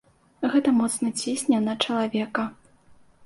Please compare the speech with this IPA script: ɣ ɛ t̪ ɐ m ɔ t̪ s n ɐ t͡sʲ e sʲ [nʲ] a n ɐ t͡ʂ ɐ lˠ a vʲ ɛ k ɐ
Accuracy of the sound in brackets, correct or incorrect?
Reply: correct